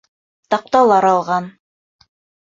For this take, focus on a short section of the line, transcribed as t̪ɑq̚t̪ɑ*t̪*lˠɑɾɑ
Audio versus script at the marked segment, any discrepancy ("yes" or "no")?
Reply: yes